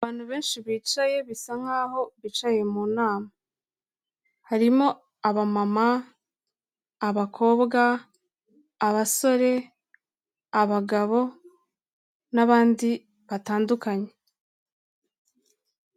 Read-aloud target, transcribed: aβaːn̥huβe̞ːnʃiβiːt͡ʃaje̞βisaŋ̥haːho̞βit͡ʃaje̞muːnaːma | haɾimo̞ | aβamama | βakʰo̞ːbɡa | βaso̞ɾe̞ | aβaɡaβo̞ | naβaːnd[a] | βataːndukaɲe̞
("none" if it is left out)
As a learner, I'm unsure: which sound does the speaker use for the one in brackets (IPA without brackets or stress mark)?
i